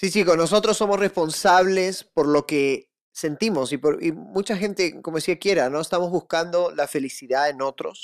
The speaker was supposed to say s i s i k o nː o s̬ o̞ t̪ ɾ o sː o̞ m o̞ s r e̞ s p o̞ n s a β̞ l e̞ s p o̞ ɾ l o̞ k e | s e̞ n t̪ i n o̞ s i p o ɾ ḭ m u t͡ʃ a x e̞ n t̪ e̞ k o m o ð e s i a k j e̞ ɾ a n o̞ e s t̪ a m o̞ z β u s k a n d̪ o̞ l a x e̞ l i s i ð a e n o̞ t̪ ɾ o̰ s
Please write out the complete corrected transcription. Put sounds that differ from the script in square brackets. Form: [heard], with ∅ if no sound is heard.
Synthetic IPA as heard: s i s i k o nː o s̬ o̞ t̪ ɾ o sː o̞ m o̞ s r e̞ s p o̞ n s a β̞ l e̞ s p o̞ ɾ l o̞ k e | s e̞ n t̪ i [m] o̞ s i p o ɾ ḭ m u t͡ʃ a x e̞ n t̪ e̞ k o m o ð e s i a k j e̞ ɾ a n o̞ e s t̪ a m o̞ z β u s k a n d̪ o̞ l a [f] e̞ l i s i ð a e n o̞ t̪ ɾ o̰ s